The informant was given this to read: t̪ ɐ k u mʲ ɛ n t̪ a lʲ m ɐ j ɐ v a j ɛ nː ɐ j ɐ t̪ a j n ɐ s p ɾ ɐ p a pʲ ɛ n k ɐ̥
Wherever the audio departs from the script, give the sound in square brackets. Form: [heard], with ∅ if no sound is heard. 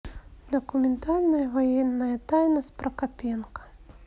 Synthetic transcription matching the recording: [d̪] ɐ k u mʲ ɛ n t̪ a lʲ [n] ɐ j ɐ v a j ɛ nː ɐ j ɐ t̪ a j n ɐ s p ɾ ɐ [k] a pʲ ɛ n k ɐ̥